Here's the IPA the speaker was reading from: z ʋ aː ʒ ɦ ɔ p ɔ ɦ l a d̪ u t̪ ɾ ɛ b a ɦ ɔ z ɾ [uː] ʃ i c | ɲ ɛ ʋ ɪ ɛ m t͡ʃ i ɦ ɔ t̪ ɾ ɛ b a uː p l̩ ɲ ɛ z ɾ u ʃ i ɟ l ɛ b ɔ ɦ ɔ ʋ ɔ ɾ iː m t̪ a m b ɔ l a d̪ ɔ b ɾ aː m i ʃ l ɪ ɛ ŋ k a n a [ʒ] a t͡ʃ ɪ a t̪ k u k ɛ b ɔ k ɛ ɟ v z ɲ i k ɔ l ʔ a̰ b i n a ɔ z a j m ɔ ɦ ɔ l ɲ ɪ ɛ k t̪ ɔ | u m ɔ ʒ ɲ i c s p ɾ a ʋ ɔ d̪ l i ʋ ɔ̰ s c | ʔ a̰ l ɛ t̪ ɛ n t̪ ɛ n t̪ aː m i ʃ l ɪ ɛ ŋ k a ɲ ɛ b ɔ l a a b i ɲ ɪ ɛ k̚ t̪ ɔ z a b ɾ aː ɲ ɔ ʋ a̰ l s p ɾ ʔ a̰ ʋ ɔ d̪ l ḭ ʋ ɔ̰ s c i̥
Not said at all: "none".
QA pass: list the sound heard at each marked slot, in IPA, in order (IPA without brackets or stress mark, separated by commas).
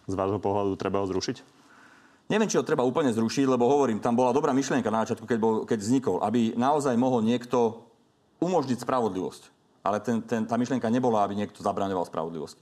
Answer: u, z